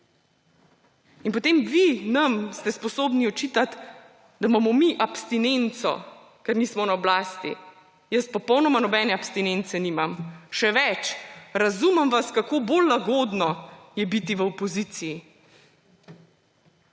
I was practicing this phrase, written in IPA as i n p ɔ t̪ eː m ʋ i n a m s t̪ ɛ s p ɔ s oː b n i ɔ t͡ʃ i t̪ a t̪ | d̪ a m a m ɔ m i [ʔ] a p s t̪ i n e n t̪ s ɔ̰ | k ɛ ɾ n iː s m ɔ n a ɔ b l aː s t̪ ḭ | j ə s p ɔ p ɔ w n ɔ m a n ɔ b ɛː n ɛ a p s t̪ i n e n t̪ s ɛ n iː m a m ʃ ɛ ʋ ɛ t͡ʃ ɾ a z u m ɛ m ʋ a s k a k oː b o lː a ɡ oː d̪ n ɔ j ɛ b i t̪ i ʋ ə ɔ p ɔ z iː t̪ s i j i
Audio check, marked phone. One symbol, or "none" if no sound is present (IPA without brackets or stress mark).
ʔ